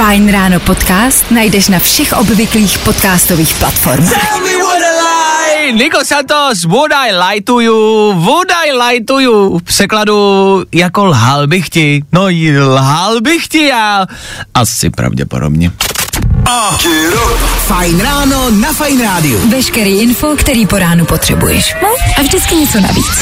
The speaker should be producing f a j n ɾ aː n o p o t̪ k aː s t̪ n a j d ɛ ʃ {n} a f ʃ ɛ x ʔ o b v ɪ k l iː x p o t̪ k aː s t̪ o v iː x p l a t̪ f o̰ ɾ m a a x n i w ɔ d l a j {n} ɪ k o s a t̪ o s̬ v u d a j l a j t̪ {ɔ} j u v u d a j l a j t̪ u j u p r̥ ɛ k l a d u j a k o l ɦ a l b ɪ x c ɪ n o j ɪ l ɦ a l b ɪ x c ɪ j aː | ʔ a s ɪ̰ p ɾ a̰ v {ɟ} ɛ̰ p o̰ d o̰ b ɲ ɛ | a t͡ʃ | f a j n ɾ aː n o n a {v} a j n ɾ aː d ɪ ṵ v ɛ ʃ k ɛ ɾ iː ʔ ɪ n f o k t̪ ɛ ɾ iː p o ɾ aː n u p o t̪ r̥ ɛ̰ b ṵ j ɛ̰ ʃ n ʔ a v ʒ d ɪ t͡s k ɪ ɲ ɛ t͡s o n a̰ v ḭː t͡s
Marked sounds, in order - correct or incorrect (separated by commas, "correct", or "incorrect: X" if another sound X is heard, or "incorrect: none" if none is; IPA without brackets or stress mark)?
correct, correct, incorrect: u, correct, incorrect: f